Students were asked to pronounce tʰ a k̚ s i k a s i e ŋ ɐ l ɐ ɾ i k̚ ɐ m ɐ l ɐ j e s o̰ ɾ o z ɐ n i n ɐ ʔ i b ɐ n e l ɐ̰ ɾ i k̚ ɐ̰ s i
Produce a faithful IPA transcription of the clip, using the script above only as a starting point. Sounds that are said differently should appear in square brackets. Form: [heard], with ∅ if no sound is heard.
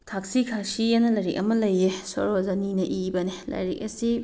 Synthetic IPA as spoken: tʰ a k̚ s i [kʰ] a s i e [n] ɐ l ɐ ɾ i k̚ ɐ m ɐ l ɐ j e s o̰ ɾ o z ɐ n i n ɐ ʔ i b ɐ n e l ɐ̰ ɾ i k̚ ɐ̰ s i